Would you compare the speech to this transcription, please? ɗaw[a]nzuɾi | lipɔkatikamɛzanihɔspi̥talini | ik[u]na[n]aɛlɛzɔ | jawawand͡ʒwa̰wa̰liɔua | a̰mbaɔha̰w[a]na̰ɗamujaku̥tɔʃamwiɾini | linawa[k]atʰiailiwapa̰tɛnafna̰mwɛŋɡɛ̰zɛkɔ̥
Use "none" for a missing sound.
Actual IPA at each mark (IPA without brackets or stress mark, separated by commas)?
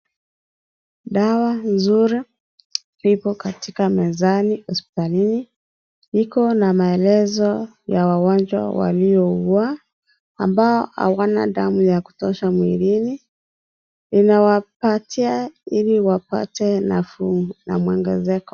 a, ɔ, m, a, p